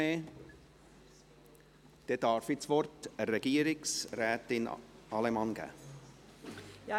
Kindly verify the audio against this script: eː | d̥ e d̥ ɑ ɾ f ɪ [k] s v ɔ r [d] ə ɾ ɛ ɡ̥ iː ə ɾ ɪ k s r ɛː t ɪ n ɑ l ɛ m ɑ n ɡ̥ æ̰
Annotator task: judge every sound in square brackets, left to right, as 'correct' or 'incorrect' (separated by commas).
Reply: incorrect, incorrect